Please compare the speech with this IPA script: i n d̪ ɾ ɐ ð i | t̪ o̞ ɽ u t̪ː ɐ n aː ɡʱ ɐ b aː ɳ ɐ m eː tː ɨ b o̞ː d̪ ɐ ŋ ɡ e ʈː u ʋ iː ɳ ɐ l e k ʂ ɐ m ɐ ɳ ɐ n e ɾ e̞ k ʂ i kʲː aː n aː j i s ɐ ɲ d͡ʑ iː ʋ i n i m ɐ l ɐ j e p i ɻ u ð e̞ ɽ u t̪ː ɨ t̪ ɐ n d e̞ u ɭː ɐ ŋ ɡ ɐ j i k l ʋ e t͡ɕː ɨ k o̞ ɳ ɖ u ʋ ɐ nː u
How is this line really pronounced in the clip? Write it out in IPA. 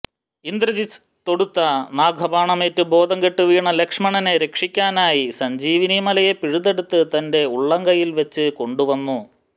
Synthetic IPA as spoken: i n d̪ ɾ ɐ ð i | t̪ o̞ ɽ u t̪ː ɐ n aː ɡʱ ɐ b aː ɳ ɐ m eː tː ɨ b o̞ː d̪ ɐ ŋ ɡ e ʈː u ʋ iː ɳ ɐ l e k ʂ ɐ m ɐ ɳ ɐ n e ɾ e̞ k ʂ i kʲː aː n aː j i s ɐ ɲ d͡ʑ iː ʋ i n i m ɐ l ɐ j e p i ɻ u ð e̞ ɽ u t̪ː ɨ t̪ ɐ n d e̞ u ɭː ɐ ŋ ɡ ɐ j i l ʋ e t͡ɕː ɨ k o̞ ɳ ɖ u ʋ ɐ nː u